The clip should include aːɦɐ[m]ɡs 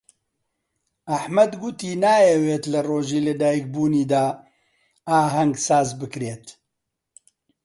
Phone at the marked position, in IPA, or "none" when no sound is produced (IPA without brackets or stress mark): ŋ